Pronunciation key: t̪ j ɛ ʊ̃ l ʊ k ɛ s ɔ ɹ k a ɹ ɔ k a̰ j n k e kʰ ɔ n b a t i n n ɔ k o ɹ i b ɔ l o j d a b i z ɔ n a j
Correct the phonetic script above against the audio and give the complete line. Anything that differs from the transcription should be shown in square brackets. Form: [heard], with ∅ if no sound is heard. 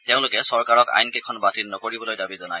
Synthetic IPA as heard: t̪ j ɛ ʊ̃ l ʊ k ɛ s ɔ ɹ k a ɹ ɔ k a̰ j n k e kʰ ɔ n b a t i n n ɔ k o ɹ i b ɔ l o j d a b i z ɔ n a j